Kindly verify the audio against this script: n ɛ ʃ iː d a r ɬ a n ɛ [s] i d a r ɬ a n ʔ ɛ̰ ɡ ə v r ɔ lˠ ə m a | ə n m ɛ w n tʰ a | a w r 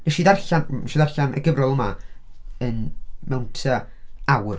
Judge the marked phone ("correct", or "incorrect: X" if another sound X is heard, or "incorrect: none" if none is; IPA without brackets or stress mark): incorrect: ʃ